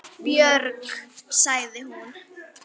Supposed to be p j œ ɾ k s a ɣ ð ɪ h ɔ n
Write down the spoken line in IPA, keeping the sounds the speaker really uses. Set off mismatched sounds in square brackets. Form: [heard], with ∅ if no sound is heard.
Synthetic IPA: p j œ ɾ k s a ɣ ð ɪ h [u] n